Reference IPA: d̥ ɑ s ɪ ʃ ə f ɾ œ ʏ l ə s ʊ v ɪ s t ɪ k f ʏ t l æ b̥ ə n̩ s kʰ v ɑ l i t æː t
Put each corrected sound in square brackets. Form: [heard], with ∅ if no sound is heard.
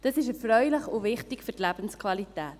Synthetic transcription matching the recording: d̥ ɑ s ɪ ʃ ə f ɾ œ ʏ l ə [χ] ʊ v ɪ [χ] t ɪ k f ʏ t l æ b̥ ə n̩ s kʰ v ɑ l i t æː t